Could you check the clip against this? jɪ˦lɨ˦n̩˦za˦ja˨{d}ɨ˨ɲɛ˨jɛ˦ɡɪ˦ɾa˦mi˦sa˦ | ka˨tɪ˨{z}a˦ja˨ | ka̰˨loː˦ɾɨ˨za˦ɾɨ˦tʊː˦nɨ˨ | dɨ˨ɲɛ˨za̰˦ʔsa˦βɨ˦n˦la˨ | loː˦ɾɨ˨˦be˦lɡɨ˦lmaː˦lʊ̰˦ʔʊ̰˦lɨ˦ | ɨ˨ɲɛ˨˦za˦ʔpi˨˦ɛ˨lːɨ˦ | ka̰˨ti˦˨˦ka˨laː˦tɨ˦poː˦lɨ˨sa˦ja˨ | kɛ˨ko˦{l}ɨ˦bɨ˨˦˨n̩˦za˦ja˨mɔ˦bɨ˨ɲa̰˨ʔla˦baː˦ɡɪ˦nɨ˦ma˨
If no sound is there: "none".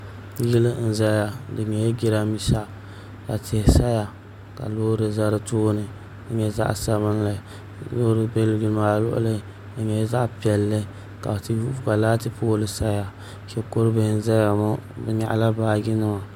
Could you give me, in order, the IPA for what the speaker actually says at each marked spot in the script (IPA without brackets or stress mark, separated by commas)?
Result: d, s, ɾ